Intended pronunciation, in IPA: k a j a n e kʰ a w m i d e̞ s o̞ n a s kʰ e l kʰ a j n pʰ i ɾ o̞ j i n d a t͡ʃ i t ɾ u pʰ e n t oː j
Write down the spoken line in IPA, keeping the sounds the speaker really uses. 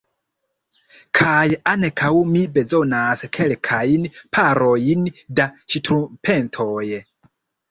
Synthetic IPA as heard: kʰ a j a n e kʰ a w m i b e̞ z o̞ n a s kʰ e l kʰ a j n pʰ a ɾ o̞ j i n d a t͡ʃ i t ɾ u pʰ e n tʰ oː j